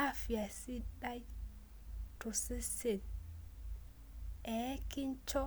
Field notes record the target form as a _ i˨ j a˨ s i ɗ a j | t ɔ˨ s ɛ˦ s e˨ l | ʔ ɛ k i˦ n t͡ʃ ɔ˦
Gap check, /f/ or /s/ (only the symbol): f